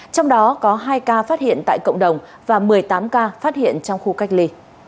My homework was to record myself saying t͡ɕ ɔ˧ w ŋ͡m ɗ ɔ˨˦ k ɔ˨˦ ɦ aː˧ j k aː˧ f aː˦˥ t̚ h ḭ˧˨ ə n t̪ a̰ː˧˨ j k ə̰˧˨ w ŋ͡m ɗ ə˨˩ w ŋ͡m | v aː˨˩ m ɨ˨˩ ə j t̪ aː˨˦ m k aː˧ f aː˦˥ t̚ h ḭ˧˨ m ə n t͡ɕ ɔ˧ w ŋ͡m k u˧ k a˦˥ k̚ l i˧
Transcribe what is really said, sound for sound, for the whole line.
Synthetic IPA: t͡ɕ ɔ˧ w ŋ͡m ɗ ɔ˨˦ k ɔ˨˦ ɦ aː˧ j k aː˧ f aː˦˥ t̚ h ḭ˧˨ ə n t̪ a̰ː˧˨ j k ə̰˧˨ w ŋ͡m ɗ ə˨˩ w ŋ͡m | v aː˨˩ m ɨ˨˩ ə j t̪ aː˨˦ m k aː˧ f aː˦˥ t̚ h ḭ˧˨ ə n t͡ɕ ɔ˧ w ŋ͡m x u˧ k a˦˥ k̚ l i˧